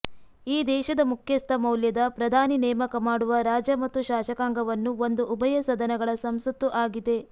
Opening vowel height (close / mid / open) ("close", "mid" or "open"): close